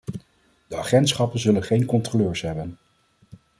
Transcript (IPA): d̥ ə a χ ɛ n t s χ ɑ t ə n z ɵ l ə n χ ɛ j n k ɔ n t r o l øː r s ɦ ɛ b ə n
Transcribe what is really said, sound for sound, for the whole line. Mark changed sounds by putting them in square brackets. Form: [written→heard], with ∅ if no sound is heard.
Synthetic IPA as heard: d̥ ə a χ ɛ n t s χ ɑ [t→p] ə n z ɵ l ə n χ [ɛ→e] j n k ɔ n t r o l øː [r→ɹ] s ɦ ɛ b ə n